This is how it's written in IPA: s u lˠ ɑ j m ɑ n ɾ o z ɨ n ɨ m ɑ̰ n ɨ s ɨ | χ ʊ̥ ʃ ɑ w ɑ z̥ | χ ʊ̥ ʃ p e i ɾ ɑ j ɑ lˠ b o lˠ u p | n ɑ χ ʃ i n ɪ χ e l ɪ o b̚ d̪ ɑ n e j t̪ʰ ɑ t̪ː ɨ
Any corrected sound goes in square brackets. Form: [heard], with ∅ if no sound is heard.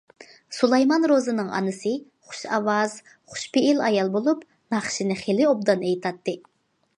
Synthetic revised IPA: s u lˠ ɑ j m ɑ n ɾ o z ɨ n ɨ [ŋ] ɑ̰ n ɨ s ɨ | χ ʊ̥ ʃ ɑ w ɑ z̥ | χ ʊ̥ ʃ p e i [l] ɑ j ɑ lˠ b o lˠ u p | n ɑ χ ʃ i n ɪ χ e l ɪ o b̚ d̪ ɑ n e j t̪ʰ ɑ t̪ː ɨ